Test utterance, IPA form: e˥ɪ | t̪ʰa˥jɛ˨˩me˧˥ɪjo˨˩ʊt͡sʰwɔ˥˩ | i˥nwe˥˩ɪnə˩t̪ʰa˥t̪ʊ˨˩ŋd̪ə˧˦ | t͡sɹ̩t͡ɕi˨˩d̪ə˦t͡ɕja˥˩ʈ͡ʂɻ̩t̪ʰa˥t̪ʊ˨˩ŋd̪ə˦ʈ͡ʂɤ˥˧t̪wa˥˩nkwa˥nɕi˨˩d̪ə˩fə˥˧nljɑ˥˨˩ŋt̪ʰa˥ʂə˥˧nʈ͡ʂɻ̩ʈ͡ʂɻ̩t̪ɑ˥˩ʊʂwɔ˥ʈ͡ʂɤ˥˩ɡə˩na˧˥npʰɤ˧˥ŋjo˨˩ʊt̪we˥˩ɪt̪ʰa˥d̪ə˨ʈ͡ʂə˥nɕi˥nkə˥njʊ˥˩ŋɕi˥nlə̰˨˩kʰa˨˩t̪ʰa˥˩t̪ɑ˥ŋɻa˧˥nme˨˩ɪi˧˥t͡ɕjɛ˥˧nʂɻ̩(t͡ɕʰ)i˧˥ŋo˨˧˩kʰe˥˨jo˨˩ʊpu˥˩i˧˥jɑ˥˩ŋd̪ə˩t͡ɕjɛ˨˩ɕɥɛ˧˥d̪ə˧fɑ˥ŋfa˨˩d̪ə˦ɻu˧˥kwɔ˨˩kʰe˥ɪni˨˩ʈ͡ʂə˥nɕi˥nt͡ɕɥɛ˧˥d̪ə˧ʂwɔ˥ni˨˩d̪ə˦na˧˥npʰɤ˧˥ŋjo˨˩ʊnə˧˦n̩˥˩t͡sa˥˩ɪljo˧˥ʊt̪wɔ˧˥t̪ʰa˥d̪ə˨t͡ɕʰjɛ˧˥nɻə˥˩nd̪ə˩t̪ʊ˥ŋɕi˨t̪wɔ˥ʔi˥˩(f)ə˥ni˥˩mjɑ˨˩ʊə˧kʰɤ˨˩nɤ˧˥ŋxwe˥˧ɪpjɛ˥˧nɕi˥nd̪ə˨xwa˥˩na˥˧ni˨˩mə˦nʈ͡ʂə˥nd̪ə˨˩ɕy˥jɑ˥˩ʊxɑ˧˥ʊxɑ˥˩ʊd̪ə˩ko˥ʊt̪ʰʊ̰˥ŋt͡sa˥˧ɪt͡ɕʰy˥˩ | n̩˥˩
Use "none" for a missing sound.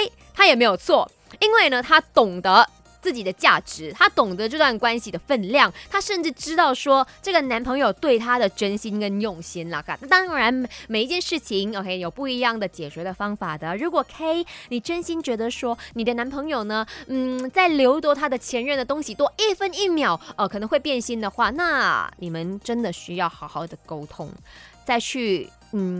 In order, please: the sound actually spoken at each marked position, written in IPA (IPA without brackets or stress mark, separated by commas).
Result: t͡ɕʰ, f